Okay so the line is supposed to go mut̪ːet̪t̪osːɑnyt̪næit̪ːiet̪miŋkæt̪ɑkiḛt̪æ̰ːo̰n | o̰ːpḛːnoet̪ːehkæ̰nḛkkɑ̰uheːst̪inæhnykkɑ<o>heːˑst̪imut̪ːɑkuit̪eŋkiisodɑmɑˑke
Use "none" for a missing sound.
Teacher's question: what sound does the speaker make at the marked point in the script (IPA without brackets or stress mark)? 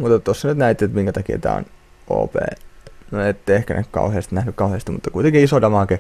u